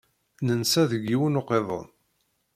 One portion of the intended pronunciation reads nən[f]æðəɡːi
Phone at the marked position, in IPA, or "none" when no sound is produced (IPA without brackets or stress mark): s